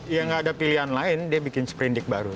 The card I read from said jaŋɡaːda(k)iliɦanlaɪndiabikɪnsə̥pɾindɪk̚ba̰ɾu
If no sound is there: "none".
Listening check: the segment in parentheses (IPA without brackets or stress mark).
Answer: p